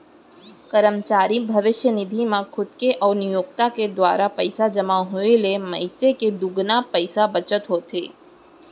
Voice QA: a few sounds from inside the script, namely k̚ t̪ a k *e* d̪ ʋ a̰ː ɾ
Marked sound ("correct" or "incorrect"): correct